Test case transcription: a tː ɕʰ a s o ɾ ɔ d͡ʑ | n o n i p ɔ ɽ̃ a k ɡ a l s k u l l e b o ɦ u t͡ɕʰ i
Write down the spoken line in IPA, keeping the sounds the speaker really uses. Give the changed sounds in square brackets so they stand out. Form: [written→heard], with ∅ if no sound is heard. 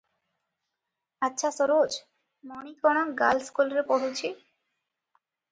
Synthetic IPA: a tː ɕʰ a s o ɾ [ɔ→o] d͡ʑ | [n→m] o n i [p→k] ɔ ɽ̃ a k ɡ a l s k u l [l→ɾ] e [b→p] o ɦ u t͡ɕʰ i